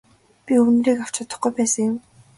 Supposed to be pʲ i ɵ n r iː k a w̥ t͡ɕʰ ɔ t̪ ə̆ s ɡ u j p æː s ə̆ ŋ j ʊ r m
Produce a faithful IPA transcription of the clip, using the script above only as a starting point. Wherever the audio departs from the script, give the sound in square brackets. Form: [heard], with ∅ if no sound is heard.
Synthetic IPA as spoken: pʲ i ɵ n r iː k a w̥ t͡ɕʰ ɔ t̪ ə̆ [χ] ɡ u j p æː s ə̆ ŋ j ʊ [∅] m